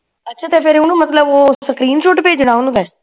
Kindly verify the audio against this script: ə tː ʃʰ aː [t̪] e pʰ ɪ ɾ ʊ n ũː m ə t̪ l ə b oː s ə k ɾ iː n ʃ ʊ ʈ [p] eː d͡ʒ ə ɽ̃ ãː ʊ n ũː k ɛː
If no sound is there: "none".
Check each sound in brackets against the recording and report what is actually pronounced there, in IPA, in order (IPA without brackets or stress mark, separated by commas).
t̪, p